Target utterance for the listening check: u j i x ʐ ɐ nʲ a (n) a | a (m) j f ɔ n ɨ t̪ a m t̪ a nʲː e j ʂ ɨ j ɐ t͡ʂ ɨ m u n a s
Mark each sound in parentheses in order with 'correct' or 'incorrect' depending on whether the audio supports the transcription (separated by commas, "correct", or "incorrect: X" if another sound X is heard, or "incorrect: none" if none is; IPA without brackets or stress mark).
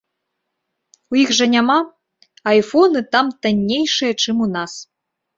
incorrect: m, incorrect: none